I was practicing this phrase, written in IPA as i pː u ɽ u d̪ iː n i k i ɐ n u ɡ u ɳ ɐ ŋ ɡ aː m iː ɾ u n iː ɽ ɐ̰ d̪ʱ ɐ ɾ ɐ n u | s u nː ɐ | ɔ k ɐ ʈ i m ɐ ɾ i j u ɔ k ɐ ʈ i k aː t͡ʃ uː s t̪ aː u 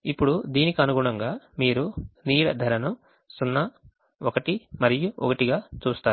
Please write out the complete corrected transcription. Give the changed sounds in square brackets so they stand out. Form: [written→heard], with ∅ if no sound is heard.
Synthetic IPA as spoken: i pː u ɽ u d̪ iː n i k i ɐ n u ɡ u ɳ ɐ ŋ ɡ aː m iː ɾ u n iː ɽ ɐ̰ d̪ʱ ɐ ɾ ɐ n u | s u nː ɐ | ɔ k ɐ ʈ i m ɐ ɾ i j u ɔ k ɐ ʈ i [k→ɡ] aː t͡ʃ uː s t̪ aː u